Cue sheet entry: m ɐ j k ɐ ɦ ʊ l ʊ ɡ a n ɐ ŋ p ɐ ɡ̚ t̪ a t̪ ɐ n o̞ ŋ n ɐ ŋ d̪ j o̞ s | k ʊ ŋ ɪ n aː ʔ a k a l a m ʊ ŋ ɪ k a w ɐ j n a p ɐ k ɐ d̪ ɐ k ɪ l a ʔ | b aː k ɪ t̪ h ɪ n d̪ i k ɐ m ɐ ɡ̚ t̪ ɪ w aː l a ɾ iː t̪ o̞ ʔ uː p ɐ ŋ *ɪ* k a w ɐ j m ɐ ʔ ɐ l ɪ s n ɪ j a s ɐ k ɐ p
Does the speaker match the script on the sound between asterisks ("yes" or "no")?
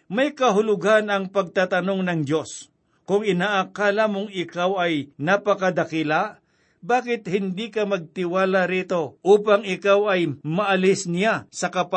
yes